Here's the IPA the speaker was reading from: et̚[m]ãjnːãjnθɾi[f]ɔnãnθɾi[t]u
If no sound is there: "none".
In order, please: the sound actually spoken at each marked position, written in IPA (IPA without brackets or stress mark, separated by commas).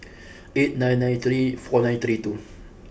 n, f, t